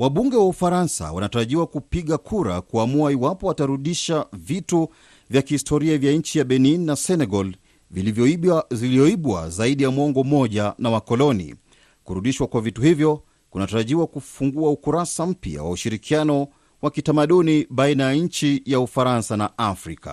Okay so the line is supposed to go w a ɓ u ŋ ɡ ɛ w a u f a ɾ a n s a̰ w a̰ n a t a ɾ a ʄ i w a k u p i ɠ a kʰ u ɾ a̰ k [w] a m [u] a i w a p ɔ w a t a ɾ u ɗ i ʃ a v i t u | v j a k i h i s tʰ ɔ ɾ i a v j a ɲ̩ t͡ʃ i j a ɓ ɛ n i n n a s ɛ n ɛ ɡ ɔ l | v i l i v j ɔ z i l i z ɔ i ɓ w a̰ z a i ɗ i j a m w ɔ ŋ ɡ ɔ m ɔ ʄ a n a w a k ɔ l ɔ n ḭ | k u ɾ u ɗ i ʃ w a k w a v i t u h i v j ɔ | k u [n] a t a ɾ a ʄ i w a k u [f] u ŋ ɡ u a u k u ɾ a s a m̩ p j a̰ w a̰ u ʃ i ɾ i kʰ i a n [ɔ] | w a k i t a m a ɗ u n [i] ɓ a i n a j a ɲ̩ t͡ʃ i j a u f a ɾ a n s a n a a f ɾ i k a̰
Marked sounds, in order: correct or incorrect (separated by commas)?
incorrect, correct, correct, correct, correct, correct